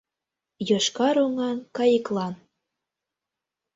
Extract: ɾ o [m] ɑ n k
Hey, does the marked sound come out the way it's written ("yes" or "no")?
no